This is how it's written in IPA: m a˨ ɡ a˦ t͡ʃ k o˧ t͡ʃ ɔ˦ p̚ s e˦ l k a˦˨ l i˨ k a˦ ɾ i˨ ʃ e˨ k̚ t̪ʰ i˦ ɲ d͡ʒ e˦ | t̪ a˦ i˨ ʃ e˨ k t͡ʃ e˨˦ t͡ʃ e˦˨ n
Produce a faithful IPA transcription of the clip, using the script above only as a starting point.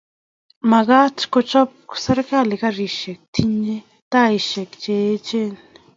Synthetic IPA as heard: m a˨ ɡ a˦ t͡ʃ k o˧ t͡ʃ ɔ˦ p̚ s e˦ ɾ k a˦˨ l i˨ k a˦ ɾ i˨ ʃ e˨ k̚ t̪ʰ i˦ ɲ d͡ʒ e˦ | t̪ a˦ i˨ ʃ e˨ k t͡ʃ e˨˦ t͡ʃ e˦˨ n